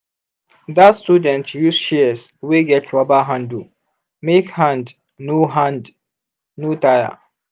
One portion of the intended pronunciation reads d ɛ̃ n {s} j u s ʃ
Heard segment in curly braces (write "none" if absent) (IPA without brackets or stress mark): t